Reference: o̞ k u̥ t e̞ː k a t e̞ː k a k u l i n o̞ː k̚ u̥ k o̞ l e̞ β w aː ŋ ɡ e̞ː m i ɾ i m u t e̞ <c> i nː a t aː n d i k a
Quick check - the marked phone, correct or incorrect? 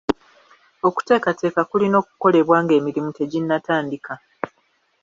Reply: incorrect